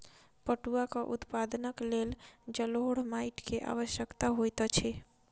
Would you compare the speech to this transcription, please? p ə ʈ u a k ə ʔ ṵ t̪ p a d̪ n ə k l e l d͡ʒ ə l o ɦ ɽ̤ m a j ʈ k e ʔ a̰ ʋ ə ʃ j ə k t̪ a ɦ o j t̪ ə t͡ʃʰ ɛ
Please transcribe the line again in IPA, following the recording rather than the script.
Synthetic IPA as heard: p ə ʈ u a k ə ʔ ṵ t̪ p a d̪ n ə k l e l d͡ʒ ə l o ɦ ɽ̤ m a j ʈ k e ʔ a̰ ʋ ə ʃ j ə k t̪ a ɦ o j t̪ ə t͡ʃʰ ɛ